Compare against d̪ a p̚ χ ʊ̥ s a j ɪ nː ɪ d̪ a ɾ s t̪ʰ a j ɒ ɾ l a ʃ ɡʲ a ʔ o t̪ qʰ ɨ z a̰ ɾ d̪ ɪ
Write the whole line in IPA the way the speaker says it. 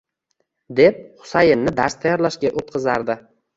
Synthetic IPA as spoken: d̪ e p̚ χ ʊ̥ s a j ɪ nː ɪ d̪ a ɾ s t̪ʰ a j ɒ ɾ l a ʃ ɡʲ a ʔ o t̪ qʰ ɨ z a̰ ɾ d̪ ɪ